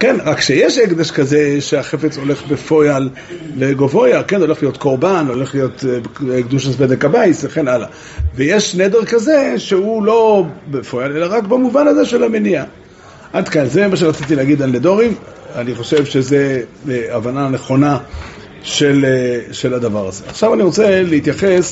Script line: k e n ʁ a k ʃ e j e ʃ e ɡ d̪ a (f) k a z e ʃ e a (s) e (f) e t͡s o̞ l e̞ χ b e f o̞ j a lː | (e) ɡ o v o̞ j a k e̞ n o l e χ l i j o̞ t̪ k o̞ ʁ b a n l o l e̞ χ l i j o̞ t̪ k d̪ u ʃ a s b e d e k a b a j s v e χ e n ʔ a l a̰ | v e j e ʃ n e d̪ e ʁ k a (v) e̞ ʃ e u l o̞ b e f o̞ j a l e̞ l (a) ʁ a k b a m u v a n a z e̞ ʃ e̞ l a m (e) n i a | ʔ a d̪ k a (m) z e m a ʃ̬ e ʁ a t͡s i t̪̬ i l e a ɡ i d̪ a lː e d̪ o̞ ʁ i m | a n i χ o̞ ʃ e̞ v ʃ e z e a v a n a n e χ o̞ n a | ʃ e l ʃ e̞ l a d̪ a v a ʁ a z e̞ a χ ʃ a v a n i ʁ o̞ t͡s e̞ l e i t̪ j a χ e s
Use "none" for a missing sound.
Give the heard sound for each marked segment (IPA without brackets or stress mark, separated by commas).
ʃ, χ, f, e, z, a, e, n